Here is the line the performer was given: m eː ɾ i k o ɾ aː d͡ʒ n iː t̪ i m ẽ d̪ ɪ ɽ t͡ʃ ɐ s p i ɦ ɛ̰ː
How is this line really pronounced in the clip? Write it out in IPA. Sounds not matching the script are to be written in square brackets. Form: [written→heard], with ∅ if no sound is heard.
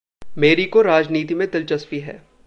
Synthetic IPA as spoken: m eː ɾ i k o ɾ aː d͡ʒ n iː t̪ i m ẽ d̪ ɪ [ɽ→l] t͡ʃ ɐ s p i ɦ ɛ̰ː

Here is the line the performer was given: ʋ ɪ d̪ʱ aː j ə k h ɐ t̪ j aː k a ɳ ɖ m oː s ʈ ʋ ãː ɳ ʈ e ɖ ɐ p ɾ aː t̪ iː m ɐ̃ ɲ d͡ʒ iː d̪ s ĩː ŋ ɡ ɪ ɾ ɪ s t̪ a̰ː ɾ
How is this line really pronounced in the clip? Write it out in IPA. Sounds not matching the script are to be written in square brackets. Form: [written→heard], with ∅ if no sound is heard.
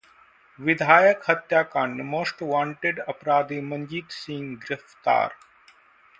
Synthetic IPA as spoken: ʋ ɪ d̪ʱ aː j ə k h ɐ t̪ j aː k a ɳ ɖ m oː s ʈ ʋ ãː ɳ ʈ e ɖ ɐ p ɾ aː [t̪→d̪] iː m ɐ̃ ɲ d͡ʒ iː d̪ s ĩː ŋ ɡ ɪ ɾ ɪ [s→f] t̪ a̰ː ɾ

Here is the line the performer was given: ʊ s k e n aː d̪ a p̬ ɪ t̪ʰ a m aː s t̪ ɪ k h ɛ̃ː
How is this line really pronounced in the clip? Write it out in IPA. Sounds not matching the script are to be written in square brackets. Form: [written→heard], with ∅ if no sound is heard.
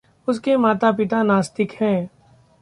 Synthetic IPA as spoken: ʊ s k e [n→m] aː [d̪→t̪] a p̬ ɪ [t̪ʰ→t̪] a [m→n] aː s t̪ ɪ k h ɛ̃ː

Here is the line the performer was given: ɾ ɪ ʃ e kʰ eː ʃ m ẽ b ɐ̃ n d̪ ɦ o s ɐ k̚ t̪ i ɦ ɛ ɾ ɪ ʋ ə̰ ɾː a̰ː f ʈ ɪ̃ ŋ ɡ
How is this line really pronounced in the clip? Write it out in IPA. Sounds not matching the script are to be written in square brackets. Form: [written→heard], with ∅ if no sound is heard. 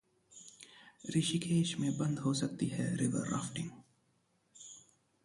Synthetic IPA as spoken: ɾ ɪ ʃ [e→i] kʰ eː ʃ m ẽ b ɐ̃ n d̪ ɦ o s ɐ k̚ t̪ i ɦ ɛ ɾ ɪ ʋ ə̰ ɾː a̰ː f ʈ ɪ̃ ŋ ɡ

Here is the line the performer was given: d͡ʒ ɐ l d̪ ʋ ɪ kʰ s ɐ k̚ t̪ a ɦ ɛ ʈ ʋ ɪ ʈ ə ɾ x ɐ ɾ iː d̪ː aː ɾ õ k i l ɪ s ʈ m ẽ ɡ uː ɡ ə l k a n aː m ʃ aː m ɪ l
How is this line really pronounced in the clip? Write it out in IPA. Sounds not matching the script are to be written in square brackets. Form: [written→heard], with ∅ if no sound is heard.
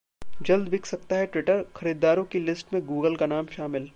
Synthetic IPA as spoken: d͡ʒ ɐ l d̪ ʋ ɪ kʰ s ɐ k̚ t̪ a ɦ ɛ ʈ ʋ ɪ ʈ ə ɾ x ɐ ɾ iː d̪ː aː ɾ õ k i l ɪ s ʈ m ẽ ɡ uː ɡ ə l k a n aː m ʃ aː m ɪ l

